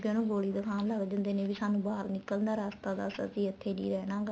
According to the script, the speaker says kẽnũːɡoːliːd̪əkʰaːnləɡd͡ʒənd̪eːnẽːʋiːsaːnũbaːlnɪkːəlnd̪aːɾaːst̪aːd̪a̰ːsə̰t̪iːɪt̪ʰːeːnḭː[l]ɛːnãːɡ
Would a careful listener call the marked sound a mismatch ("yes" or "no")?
yes